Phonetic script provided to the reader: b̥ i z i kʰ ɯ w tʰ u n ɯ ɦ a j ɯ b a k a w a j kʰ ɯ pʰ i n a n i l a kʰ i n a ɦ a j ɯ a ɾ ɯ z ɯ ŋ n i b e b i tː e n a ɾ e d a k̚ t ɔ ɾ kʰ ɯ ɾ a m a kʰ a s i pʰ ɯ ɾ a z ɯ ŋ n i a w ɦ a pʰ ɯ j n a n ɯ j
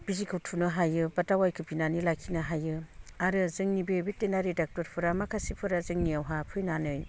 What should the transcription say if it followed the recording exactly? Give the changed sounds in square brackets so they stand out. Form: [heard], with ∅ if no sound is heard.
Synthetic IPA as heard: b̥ i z i kʰ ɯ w tʰ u n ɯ ɦ a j ɯ b a [t] a w a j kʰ ɯ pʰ i n a n i l a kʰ i n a ɦ a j ɯ a ɾ ɯ z ɯ ŋ n i b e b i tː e n a ɾ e d a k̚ t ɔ ɾ [pʰ] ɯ ɾ a m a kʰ a s i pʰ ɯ ɾ a z ɯ ŋ n i a w ɦ a pʰ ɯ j n a n ɯ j